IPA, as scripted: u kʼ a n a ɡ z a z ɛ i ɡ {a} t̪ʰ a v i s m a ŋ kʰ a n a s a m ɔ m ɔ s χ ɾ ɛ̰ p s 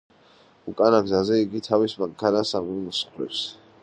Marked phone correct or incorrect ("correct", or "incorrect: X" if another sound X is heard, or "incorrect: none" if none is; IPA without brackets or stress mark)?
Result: incorrect: i